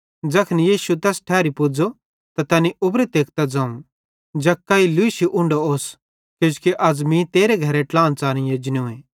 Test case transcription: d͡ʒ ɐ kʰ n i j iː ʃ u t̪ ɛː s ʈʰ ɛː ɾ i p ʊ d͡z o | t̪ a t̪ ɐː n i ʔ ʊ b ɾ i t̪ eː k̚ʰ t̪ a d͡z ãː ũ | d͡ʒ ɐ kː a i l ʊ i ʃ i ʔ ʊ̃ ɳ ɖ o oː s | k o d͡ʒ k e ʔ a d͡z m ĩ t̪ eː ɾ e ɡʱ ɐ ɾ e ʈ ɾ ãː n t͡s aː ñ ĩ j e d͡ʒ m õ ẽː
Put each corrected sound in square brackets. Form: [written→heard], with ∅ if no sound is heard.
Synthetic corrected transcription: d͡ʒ ɐ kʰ n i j iː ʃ u t̪ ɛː s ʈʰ ɛː ɾ i p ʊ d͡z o | t̪ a t̪ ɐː n i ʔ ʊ b ɾ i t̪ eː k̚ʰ t̪ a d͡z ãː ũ | d͡ʒ ɐ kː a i l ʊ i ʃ i ʔ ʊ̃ ɳ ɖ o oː s | k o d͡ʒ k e ʔ [a→ɐ] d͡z m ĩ t̪ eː ɾ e ɡʱ ɐ ɾ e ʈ [ɾ→l] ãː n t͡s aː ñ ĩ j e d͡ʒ [m→n] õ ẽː